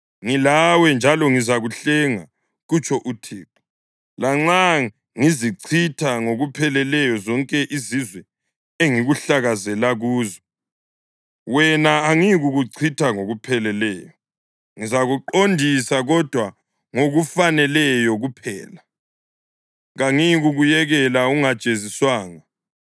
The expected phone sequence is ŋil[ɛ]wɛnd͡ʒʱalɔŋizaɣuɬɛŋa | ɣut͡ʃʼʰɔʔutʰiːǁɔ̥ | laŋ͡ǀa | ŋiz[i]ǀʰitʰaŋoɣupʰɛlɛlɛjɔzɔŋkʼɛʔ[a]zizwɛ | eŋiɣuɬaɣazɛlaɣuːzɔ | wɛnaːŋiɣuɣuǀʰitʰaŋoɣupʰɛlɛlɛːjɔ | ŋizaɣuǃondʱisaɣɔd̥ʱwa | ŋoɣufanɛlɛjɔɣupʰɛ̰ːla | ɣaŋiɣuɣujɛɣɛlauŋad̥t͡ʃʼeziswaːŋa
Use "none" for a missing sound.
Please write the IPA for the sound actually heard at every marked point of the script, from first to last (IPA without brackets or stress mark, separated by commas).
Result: a, i, i